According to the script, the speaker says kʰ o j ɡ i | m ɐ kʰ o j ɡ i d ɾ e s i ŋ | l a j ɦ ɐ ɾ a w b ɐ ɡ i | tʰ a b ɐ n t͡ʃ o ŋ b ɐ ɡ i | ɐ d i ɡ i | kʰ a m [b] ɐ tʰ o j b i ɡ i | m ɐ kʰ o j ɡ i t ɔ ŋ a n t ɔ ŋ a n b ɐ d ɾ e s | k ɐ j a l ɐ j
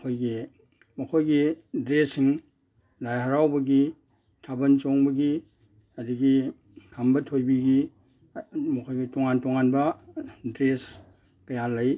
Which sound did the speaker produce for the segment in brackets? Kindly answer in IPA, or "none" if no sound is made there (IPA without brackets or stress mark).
b